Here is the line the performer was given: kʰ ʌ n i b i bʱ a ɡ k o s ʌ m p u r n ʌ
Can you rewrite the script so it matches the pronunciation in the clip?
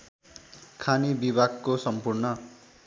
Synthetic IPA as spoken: kʰ a n i b i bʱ a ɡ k o s ʌ m p u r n ʌ

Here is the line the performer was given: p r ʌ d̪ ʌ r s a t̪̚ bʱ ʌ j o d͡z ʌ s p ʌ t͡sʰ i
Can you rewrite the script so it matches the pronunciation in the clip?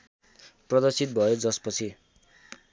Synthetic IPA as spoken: p r ʌ d̪ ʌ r s i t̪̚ bʱ ʌ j o d͡z ʌ s p ʌ t͡sʰ i

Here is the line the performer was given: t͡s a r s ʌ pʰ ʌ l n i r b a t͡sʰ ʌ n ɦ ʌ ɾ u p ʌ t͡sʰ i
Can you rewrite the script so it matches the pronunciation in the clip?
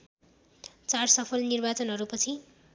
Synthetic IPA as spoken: t͡s a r s ʌ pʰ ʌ l n i r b a t͡s ʌ n ɦ ʌ ɾ u p ʌ t͡sʰ i

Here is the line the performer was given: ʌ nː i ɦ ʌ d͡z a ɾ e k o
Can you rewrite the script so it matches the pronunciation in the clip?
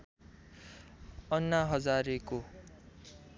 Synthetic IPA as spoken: ʌ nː a ɦ ʌ d͡z a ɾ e k o

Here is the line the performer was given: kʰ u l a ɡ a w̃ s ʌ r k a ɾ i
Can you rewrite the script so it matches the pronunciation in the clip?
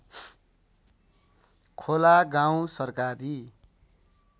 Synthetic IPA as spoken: kʰ o l a ɡ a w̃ s ʌ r k a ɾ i

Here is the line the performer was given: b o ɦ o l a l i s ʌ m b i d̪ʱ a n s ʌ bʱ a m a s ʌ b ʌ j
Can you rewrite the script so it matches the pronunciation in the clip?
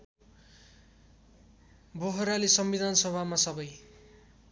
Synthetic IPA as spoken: b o ɦ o ɾ a l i s ʌ m b i d̪ʱ a n s ʌ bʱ a m a s ʌ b ʌ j

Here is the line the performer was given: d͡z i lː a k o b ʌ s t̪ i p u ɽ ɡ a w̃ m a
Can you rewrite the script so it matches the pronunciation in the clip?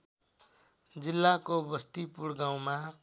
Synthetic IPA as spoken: d͡z i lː a k o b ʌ s t̪ i p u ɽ ɡ a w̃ m a

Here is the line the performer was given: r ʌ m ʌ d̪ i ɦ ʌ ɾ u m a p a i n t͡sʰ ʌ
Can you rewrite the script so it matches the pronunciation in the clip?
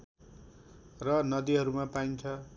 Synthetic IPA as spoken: r ʌ n ʌ d̪ i ɦ ʌ ɾ u m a p a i n t͡sʰ ʌ

